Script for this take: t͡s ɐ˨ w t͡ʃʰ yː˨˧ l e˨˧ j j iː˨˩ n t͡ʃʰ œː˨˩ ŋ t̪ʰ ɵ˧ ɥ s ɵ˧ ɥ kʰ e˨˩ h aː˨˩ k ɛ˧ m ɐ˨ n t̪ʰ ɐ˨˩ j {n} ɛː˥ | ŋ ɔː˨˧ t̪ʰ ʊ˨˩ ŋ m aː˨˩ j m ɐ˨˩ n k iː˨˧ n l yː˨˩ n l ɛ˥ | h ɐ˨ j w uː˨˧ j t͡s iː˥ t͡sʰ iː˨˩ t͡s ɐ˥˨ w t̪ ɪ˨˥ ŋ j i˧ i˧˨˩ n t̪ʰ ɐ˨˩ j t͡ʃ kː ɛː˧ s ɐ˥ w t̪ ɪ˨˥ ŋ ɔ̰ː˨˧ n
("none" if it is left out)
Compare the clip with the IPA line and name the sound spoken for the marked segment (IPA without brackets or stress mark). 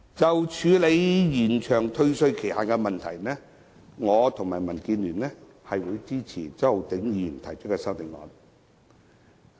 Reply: n